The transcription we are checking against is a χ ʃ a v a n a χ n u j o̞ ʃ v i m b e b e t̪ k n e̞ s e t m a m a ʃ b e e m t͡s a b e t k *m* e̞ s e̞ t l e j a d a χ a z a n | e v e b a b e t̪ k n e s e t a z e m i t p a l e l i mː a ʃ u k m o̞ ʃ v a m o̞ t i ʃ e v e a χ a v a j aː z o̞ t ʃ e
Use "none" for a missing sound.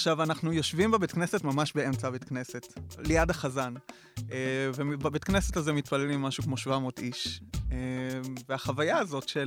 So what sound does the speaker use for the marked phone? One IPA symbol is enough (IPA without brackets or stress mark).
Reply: n